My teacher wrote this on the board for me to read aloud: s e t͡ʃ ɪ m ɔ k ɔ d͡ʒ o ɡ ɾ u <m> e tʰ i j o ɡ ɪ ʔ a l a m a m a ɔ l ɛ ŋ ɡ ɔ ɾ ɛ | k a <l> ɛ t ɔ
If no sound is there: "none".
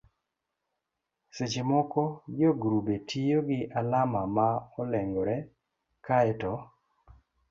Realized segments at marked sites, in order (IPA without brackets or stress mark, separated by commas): b, none